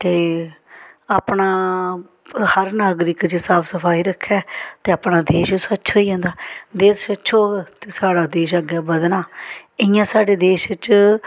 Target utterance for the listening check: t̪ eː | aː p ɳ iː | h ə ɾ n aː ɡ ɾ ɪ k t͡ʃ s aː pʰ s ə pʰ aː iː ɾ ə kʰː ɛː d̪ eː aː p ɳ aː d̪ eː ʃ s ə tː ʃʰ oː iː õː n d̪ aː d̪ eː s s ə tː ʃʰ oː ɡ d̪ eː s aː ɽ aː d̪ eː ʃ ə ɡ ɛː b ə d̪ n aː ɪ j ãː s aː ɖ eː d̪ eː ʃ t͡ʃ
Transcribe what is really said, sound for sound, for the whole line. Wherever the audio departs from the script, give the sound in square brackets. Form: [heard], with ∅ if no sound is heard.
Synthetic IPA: t̪ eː | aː p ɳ [aː] | h ə ɾ n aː ɡ ɾ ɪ k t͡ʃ s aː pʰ s ə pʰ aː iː ɾ ə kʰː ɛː [t̪] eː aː p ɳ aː d̪ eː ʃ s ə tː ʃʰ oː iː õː n d̪ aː d̪ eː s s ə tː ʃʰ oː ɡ [t̪] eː s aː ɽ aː d̪ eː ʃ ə ɡ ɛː b ə d̪ n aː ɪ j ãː s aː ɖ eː d̪ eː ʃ t͡ʃ